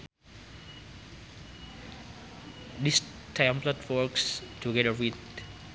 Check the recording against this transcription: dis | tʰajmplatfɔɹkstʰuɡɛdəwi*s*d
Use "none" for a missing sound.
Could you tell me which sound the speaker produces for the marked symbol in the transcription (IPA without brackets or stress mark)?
none